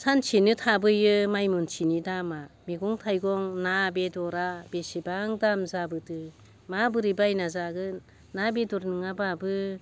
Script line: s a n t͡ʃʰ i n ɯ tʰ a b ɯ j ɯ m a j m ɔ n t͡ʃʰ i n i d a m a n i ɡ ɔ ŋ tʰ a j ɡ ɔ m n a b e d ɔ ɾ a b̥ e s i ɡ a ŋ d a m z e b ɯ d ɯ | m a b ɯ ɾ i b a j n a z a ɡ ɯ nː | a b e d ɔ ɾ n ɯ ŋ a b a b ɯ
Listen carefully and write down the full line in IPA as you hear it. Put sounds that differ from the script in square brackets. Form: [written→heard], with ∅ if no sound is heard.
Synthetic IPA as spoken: s a n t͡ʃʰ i n ɯ tʰ a b ɯ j ɯ m a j m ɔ n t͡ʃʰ i n i d a m a [n→m] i ɡ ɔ ŋ tʰ a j ɡ ɔ [m→ŋ] n a b e d ɔ ɾ a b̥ e s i [ɡ→b] a ŋ d a m z [e→a] b ɯ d ɯ | m a b ɯ ɾ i b a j n a z a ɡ ɯ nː | a b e d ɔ ɾ n ɯ ŋ a b a b ɯ